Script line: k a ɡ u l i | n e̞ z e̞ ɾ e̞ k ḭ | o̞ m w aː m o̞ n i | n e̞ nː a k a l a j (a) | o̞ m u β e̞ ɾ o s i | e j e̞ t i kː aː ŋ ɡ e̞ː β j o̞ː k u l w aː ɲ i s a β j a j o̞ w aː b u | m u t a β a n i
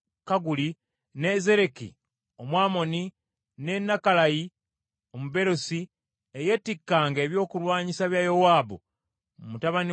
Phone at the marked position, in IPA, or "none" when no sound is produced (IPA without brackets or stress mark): i